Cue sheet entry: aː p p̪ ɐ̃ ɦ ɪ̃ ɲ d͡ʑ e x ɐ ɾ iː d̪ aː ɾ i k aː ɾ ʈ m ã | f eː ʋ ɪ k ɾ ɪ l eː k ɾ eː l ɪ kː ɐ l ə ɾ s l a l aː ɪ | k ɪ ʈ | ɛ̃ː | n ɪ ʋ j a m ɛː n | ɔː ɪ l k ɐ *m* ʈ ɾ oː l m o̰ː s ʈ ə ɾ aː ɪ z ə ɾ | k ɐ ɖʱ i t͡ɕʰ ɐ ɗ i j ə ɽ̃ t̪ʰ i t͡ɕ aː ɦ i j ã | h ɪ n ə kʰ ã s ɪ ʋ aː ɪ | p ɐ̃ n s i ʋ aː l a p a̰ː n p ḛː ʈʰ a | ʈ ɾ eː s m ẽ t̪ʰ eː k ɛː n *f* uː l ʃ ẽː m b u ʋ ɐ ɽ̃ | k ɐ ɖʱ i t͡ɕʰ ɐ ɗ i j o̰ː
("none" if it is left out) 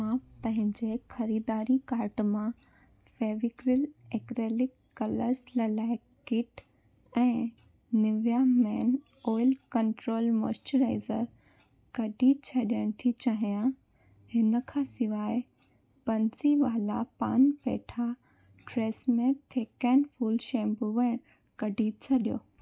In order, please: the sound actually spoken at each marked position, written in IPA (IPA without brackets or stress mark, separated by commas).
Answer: ɳ, f